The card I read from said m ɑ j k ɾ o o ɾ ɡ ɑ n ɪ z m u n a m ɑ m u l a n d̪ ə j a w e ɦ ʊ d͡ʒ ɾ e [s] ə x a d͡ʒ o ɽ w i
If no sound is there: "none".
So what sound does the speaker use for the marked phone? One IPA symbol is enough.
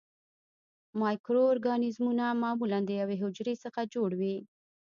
s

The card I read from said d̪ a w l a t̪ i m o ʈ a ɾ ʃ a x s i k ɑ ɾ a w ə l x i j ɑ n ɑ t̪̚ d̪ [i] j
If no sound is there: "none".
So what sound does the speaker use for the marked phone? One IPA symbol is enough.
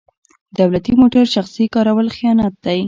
a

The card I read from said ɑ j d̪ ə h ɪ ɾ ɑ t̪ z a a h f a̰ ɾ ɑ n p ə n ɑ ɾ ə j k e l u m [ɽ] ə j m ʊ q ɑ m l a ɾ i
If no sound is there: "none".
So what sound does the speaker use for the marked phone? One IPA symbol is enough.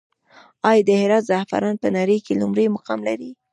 ɾ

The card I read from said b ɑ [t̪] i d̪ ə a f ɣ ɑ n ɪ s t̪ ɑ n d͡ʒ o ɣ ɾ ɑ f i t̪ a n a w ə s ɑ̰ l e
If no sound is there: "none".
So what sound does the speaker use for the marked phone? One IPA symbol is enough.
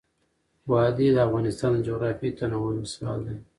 d̪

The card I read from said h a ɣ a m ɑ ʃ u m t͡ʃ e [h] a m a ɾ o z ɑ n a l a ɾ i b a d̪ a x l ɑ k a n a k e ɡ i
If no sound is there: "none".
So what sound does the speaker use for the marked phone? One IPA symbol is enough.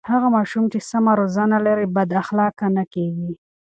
s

